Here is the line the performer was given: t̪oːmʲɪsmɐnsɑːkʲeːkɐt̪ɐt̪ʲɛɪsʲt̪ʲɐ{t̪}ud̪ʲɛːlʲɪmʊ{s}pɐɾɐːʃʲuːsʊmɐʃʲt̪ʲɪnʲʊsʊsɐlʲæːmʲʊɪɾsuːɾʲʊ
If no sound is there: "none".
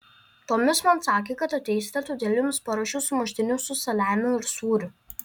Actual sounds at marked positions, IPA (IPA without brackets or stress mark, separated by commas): t̪, s